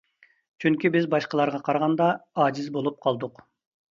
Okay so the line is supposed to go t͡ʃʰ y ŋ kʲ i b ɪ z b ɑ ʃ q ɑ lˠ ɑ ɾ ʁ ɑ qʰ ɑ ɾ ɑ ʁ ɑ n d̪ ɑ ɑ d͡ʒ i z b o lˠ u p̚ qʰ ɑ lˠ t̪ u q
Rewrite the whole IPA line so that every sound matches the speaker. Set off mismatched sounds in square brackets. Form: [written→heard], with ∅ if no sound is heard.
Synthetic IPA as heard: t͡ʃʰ y ŋ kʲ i b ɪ z b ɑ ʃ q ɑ lˠ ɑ ɾ ʁ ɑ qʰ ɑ ɾ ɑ ʁ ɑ n d̪ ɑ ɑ d͡ʒ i z b o lˠ u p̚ qʰ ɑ lˠ [t̪→d̪] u q